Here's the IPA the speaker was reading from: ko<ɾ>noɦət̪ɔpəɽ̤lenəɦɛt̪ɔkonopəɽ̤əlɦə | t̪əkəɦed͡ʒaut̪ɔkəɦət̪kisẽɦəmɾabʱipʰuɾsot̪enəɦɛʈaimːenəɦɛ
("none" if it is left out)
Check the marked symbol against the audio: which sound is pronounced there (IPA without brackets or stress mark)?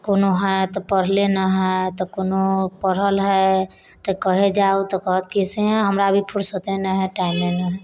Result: none